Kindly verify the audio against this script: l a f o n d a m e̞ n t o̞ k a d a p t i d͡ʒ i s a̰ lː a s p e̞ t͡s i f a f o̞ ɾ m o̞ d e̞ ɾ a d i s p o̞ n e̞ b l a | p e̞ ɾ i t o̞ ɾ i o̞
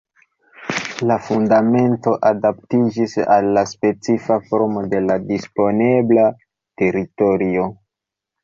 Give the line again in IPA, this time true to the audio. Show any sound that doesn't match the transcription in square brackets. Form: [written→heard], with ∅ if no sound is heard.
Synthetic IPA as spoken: l a f [o→u] n d a m e̞ n t o̞ [k→ʔ] a d a p t i d͡ʒ i s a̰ lː a s p e̞ t͡s i f a f o̞ ɾ m o̞ d e̞ [ɾ→l] a d i s p o̞ n e̞ b l a | [p→t] e̞ ɾ i t o̞ ɾ i o̞